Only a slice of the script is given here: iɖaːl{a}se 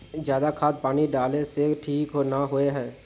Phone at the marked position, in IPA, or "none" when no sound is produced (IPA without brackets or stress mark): e